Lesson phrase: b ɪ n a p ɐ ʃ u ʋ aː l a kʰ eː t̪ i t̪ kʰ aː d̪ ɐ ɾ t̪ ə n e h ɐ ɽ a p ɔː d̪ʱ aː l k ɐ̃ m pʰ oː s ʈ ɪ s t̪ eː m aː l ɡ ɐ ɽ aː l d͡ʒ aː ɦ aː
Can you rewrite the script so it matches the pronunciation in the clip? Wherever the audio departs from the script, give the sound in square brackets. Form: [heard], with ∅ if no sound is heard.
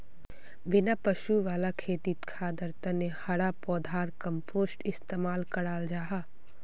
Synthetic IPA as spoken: b ɪ n a p ɐ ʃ u ʋ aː l a kʰ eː t̪ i t̪ kʰ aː d̪ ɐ ɾ t̪ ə n e h ɐ ɽ a p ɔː d̪ʱ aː [ɾ] k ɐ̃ m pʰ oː s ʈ ɪ s t̪ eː m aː l [k] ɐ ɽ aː l d͡ʒ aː ɦ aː